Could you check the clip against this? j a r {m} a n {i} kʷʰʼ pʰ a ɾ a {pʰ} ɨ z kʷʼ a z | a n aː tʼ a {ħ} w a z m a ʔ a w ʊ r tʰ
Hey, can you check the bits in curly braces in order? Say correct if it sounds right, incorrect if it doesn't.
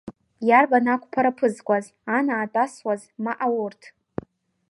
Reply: incorrect, incorrect, correct, incorrect

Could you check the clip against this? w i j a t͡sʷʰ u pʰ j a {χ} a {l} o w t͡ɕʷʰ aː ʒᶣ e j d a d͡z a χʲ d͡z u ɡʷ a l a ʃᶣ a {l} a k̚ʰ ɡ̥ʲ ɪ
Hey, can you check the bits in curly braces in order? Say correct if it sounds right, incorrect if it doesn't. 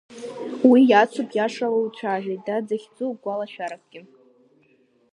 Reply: incorrect, correct, incorrect

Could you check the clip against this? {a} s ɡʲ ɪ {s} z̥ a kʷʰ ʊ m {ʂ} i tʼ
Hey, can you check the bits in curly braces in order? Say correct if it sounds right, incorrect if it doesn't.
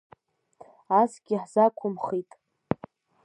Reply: correct, incorrect, incorrect

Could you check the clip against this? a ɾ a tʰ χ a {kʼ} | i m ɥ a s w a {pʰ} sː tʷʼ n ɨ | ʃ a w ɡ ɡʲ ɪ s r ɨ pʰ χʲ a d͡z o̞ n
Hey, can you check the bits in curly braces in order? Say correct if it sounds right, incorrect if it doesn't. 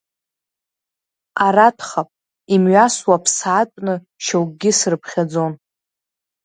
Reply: incorrect, correct

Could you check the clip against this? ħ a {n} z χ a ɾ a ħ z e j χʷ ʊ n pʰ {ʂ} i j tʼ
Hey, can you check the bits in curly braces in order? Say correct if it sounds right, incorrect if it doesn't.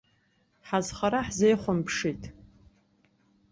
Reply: incorrect, correct

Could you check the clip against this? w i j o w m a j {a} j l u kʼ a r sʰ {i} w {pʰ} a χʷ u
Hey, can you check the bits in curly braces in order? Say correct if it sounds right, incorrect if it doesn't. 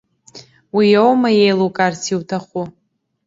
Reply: incorrect, correct, incorrect

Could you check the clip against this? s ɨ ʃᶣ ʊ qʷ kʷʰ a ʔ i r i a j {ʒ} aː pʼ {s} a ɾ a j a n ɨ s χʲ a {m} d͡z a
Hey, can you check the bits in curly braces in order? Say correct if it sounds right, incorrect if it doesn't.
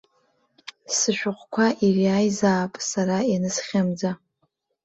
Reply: incorrect, correct, correct

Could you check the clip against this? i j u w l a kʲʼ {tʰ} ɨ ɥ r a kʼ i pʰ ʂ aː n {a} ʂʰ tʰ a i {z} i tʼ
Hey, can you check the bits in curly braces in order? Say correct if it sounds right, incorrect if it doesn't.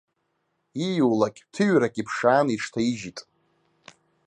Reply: correct, incorrect, incorrect

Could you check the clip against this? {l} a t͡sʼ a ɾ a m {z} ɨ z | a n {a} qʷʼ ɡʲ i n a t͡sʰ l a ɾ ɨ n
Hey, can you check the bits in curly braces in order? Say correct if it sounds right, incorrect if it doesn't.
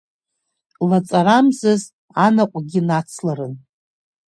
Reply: correct, correct, correct

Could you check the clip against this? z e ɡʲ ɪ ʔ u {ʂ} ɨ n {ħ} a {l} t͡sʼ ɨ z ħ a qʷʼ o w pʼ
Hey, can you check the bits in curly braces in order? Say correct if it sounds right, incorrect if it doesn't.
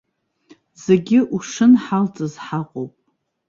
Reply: correct, correct, correct

